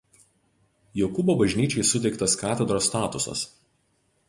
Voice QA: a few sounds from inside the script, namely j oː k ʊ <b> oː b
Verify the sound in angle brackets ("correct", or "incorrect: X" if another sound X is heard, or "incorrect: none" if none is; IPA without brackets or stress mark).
correct